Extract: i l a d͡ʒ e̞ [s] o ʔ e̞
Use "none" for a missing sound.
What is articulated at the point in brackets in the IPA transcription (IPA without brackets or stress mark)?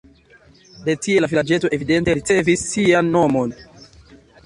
t